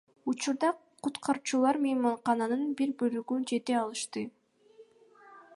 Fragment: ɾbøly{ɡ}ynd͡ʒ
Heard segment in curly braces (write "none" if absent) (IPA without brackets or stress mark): ɡ